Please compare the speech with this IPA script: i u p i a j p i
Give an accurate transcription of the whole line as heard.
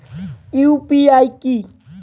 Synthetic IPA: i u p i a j k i